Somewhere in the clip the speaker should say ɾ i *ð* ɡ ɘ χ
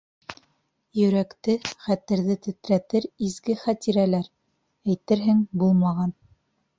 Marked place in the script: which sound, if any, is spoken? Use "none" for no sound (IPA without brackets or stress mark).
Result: z